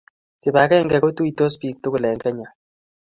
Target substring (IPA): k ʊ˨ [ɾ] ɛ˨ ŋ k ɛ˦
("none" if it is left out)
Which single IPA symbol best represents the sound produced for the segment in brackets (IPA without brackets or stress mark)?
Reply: l